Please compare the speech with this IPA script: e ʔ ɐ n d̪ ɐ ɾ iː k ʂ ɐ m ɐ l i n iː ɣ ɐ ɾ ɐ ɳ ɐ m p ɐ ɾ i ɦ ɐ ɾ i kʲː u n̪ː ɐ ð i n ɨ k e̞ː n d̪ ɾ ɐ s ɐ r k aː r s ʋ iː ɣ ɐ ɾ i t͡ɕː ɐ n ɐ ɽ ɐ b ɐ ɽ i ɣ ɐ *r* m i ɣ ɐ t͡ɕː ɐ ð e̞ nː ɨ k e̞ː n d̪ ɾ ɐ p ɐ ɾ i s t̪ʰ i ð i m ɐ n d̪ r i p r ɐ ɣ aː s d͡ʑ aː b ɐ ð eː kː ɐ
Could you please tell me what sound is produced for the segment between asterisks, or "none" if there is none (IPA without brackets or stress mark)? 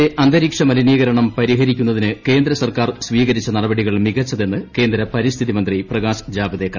ɭ